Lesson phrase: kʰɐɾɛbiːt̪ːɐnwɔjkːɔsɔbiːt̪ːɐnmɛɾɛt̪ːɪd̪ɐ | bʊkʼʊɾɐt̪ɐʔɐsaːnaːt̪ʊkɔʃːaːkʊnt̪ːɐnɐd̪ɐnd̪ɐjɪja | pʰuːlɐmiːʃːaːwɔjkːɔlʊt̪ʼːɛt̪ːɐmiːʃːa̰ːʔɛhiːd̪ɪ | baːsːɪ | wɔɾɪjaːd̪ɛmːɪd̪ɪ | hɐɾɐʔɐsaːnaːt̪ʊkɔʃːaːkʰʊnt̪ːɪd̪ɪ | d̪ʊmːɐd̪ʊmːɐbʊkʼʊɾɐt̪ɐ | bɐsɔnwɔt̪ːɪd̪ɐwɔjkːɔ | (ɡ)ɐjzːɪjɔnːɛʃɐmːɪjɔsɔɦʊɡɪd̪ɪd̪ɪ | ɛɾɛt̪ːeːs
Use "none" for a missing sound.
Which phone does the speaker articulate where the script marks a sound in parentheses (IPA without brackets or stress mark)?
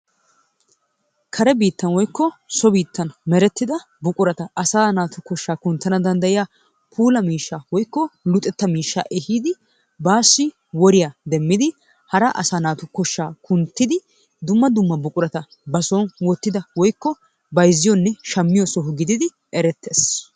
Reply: b